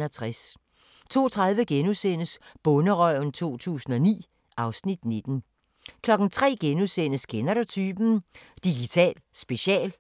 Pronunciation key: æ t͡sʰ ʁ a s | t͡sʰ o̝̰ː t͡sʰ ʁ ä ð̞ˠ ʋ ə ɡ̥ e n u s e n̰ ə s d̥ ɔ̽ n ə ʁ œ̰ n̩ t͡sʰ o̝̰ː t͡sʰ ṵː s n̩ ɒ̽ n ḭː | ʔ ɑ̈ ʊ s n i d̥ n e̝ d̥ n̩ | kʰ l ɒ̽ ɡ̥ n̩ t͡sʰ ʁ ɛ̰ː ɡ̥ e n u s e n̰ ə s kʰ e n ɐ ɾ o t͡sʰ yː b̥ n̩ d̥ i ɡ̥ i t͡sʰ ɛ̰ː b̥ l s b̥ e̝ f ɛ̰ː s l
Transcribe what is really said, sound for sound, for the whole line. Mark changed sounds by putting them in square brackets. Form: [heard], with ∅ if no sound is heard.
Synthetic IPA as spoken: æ t͡sʰ ʁ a s | t͡sʰ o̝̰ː t͡sʰ ʁ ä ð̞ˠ ʋ ə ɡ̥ e n u s e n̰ ə s [b̥] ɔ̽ n ə ʁ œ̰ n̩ t͡sʰ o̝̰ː t͡sʰ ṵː s n̩ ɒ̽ n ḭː | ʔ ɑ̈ ʊ s n i d̥ n e̝ d̥ n̩ | kʰ l ɒ̽ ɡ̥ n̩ t͡sʰ ʁ ɛ̰ː ɡ̥ e n u s e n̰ ə s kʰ e n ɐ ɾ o t͡sʰ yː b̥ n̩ d̥ i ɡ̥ i t͡sʰ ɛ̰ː [∅] l s b̥ e̝ [ɕ] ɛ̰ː [∅] l